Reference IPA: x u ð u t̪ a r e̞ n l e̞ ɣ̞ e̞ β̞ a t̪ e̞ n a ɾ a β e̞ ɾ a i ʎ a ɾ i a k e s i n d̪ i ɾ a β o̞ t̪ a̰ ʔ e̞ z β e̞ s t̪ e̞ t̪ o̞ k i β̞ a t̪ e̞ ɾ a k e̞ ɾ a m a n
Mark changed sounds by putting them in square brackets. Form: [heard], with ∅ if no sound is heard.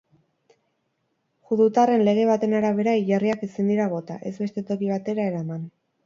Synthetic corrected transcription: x u ð u t̪ a r e̞ n l e̞ ɣ̞ e̞ β̞ a t̪ e̞ n a ɾ a β e̞ ɾ a i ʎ a [r] i a k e s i n d̪ i ɾ a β o̞ t̪ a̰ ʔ e̞ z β e̞ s t̪ e̞ t̪ o̞ k i β̞ a t̪ e̞ ɾ a [∅] e̞ ɾ a m a n